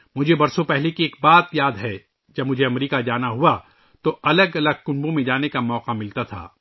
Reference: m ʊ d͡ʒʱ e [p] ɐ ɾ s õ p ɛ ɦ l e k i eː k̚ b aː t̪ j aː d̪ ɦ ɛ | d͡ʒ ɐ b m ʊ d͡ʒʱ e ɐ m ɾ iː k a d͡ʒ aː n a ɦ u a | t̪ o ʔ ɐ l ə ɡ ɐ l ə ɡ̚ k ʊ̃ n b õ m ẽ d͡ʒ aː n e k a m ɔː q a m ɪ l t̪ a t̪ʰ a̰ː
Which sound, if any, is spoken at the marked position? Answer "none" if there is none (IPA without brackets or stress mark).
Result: b